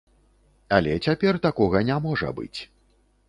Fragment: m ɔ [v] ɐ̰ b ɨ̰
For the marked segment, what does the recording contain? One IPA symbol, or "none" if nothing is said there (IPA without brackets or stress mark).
ʐ